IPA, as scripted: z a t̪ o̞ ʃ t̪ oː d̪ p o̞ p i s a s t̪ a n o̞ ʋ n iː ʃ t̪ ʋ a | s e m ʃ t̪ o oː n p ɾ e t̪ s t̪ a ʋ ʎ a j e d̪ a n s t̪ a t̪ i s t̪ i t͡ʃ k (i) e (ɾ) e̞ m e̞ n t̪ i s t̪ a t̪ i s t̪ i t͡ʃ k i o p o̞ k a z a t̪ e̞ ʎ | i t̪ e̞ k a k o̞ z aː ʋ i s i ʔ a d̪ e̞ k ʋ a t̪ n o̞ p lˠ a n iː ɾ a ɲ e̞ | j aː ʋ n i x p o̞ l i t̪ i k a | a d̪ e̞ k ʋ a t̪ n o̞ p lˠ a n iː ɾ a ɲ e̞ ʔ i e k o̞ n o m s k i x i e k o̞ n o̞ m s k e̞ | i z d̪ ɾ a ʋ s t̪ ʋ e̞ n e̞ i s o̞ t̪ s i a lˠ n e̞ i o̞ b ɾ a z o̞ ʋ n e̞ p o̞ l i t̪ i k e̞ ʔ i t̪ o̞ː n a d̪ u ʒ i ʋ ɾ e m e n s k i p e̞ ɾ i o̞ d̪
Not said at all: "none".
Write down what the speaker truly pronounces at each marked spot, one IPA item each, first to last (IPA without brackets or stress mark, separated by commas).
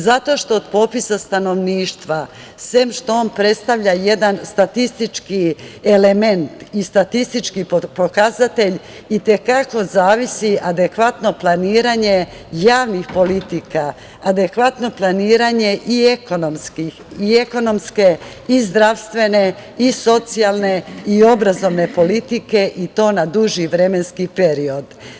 i, l